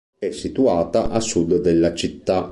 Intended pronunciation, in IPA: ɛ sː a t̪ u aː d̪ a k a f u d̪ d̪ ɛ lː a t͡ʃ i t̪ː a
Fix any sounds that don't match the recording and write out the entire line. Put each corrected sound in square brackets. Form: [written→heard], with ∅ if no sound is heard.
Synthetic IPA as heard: ɛ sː [a→i] t̪ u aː [d̪→t̪] a [k→ʔ] a [f→s] u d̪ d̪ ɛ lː a t͡ʃ i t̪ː a

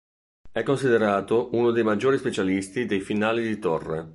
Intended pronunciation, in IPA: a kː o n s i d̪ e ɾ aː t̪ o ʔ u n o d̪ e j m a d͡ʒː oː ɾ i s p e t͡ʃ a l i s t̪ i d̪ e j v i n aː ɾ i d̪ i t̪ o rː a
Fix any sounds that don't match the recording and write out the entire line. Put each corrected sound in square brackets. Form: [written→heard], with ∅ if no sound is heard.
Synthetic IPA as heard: [a→ɛ] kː o n s i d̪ e ɾ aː t̪ o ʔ u n o d̪ e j m a d͡ʒː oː ɾ i s p e t͡ʃ a l i s t̪ i d̪ e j [v→f] i n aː [ɾ→l] i d̪ i t̪ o rː [a→e]

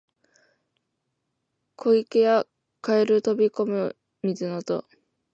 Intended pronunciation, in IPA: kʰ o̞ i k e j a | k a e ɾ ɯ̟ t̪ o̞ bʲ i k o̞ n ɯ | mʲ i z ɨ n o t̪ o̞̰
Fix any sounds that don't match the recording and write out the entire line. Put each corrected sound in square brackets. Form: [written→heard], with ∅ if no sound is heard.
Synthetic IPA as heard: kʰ o̞ i k e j a | k a e ɾ ɯ̟ t̪ o̞ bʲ i k o̞ [n→m] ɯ | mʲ i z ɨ n o t̪ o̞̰

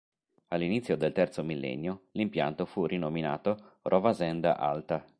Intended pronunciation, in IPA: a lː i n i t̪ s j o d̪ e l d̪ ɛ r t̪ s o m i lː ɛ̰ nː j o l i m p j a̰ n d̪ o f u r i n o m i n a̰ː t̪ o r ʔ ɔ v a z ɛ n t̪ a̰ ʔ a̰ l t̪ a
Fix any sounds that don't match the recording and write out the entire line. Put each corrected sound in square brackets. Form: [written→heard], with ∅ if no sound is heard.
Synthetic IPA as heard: a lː i n i t̪ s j o d̪ e l [d̪→t̪] ɛ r t̪ s o m i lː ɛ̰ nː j o l i m p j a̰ n [d̪→t̪] o f u r i n o m i n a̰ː t̪ o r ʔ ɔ v a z ɛ n [t̪→d̪] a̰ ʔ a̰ l t̪ a

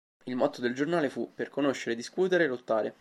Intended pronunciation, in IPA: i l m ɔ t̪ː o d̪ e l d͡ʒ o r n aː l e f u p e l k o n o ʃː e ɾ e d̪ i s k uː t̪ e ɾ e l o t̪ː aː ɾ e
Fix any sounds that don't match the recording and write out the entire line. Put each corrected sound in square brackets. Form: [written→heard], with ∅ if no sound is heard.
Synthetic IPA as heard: i l m ɔ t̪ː o d̪ e l d͡ʒ o r n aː l e f u p e [l→r] k o n o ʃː e ɾ e d̪ i s k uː t̪ e ɾ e l o t̪ː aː ɾ e

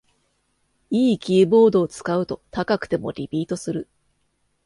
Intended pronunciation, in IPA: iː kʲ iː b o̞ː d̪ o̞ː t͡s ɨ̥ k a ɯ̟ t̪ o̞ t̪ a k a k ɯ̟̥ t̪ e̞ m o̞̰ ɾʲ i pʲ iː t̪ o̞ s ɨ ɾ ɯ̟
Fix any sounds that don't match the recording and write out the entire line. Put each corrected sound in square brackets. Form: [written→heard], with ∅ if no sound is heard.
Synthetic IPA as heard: iː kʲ iː b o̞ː d̪ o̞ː t͡s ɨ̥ k a ɯ̟ t̪ o̞ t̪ a k a k ɯ̟̥ t̪ e̞ m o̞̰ ɾʲ i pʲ iː t̪ o̞ s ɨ ɾ ɯ̟

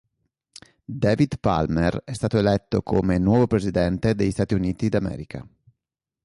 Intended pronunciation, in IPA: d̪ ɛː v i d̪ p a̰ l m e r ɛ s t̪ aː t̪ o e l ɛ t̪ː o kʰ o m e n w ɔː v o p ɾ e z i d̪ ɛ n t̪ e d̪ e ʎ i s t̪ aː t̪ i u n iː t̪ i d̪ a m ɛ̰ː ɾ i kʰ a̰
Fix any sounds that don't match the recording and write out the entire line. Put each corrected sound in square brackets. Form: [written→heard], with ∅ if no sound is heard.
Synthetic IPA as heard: d̪ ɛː v i d̪ p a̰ l m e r ɛ s t̪ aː t̪ o e l ɛ t̪ː o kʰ o m e n w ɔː v o p ɾ e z i d̪ ɛ n t̪ e d̪ e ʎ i s t̪ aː t̪ i u n iː t̪ i d̪ a m ɛ̰ː ɾ i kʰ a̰

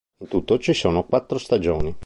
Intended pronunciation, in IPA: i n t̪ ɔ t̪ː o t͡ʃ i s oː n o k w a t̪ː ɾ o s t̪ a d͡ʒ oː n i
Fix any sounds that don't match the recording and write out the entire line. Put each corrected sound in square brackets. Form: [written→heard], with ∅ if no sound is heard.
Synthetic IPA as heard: i n t̪ [ɔ→u] t̪ː o t͡ʃ i s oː n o k w a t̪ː ɾ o s t̪ a d͡ʒ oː n i

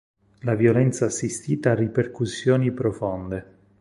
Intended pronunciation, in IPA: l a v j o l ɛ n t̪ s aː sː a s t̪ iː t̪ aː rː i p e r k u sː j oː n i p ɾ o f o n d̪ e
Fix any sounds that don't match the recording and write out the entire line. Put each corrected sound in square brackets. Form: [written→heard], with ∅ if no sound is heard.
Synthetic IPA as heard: l a v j o l ɛ n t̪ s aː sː [a→i] s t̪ iː t̪ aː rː i p e r k u sː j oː n i p ɾ o f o n d̪ e

